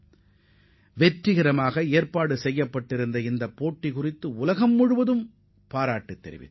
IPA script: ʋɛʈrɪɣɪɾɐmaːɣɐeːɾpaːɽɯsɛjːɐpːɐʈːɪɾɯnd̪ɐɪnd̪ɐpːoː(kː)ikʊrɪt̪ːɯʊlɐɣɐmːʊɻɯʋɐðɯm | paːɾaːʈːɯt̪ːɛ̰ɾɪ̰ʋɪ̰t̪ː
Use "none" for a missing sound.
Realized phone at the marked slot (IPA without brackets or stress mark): ʈː